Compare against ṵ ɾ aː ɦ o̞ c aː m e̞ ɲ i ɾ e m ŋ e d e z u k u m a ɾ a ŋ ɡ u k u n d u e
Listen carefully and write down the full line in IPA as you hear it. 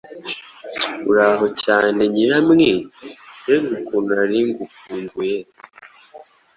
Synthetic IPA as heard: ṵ ɾ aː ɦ o̞ c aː n e̞ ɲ i ɾ a m ŋ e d e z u k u n a ɾ i ŋ ɡ u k u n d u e